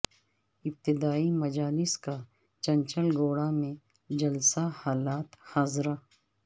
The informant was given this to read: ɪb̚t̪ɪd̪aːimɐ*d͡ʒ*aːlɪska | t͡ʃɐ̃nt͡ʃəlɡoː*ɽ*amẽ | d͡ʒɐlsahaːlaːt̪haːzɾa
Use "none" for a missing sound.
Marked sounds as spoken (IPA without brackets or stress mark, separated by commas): d͡ʒ, ɽ